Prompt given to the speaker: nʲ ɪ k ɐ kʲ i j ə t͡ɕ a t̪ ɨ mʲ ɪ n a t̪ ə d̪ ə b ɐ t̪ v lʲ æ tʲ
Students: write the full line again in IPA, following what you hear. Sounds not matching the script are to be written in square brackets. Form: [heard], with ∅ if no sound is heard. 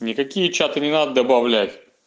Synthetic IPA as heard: nʲ ɪ k ɐ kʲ i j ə t͡ɕ a t̪ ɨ [nʲ] ɪ n a [d̪] ə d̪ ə b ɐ [∅] v lʲ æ tʲ